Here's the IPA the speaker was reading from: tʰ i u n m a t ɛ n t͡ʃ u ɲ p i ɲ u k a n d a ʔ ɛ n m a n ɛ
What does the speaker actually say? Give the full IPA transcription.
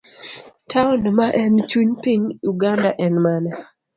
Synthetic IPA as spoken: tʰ a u n m a ʔ ɛ n t͡ʃ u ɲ p i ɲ u ɡ a n d a ʔ ɛ n m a n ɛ